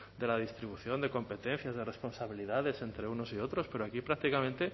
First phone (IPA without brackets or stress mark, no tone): d̪